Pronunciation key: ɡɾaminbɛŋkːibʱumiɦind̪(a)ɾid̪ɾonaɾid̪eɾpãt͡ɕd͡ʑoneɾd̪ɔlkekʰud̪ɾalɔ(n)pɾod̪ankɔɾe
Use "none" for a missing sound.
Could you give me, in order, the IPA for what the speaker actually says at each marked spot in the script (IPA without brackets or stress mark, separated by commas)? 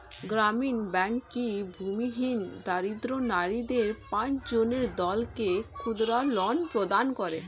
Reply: a, n